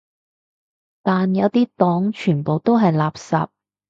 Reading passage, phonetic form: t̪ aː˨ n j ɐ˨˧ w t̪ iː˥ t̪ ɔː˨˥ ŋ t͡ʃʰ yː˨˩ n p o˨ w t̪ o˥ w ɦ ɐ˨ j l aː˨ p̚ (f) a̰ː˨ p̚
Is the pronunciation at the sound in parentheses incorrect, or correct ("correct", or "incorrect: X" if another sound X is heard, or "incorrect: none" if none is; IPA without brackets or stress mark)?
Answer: incorrect: s